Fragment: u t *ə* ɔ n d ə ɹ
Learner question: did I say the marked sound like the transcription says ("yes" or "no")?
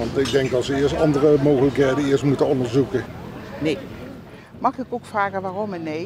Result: yes